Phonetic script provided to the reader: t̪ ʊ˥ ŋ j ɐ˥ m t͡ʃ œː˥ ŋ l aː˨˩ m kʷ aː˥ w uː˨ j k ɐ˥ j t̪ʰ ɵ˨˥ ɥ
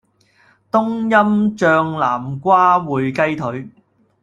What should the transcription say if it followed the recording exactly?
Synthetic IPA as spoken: t̪ ʊ˥ ŋ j ɐ˥ m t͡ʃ œː˧ ŋ l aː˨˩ m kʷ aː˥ w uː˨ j k ɐ˥ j t̪ʰ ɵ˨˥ ɥ